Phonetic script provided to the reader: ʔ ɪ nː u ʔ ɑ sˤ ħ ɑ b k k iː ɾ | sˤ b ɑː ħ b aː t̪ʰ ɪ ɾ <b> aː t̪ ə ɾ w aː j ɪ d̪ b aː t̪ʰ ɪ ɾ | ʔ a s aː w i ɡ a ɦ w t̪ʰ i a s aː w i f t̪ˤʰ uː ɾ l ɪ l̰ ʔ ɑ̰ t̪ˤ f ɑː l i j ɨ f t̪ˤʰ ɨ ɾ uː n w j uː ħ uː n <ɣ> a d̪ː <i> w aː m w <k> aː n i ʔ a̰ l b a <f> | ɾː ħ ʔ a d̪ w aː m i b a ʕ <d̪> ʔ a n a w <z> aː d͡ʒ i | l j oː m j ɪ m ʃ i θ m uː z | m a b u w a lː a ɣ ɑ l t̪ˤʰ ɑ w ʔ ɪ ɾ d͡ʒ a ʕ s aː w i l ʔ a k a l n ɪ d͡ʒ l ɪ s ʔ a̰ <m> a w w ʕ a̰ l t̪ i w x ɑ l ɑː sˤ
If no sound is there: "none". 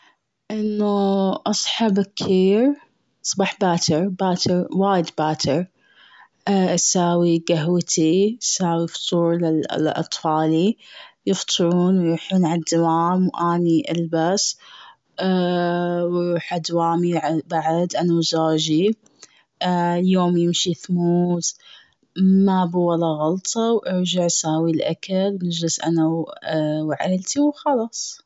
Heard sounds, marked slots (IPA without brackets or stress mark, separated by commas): b, ʕ, a, ʔ, s, d̪, z, n